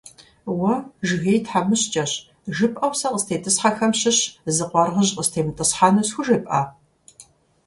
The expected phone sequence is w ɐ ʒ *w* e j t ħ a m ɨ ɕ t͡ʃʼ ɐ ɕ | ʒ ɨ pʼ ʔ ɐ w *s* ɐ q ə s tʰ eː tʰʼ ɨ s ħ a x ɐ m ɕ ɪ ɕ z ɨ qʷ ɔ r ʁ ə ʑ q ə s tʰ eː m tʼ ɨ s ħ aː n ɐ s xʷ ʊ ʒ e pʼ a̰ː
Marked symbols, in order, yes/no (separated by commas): no, yes